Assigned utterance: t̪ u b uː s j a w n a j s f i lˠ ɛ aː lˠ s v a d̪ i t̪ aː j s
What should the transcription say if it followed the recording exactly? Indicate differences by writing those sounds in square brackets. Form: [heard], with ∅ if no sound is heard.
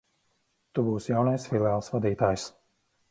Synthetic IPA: t̪ u b uː s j a w n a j s f i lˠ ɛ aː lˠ s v a d̪ [iː] t̪ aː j s